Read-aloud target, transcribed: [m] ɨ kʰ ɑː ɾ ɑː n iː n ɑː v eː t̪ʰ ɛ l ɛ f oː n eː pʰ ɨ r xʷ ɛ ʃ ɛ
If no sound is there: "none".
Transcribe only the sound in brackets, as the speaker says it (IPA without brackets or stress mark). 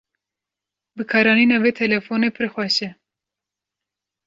b